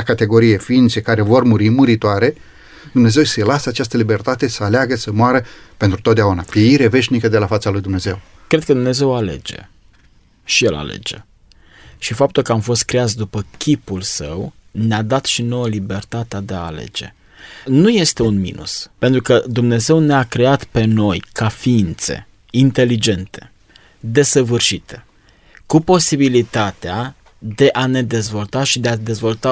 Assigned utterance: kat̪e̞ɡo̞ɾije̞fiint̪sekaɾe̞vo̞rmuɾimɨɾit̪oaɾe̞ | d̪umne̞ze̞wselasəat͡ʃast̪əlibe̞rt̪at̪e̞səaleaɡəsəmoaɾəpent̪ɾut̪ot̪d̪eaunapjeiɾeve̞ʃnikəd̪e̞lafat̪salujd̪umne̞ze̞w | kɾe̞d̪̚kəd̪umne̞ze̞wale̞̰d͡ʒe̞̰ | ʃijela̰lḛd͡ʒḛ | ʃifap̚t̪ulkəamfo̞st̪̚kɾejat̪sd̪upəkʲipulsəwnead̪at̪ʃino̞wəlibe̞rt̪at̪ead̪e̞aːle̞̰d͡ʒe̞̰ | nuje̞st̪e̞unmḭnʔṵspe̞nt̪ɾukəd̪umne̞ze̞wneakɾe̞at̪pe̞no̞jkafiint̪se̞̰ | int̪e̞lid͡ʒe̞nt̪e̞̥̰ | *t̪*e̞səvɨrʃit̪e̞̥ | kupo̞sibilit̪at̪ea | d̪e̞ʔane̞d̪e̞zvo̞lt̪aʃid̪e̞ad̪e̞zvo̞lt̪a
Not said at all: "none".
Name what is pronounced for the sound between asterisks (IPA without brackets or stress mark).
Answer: d̪